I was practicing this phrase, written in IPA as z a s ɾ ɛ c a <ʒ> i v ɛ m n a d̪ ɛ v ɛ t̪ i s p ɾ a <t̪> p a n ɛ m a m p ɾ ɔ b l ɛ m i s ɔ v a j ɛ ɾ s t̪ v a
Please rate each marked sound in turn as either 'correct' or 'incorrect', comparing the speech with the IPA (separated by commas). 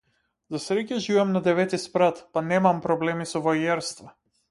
correct, correct